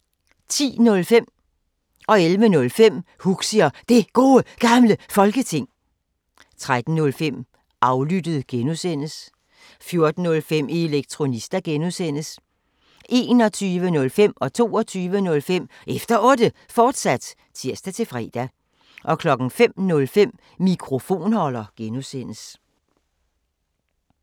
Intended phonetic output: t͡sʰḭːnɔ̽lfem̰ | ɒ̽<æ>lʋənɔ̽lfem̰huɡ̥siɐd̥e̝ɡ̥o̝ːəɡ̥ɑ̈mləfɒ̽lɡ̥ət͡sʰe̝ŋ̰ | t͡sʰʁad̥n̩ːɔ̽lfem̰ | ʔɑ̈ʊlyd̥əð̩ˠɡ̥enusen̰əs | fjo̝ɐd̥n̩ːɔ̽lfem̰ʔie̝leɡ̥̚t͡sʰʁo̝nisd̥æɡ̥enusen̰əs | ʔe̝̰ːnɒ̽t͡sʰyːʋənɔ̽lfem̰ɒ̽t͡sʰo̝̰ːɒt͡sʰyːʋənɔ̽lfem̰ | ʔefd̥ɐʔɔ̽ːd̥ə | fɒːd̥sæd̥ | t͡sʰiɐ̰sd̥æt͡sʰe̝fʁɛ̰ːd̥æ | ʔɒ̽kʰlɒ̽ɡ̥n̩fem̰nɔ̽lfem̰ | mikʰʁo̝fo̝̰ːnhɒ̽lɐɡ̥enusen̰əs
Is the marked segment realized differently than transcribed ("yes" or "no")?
yes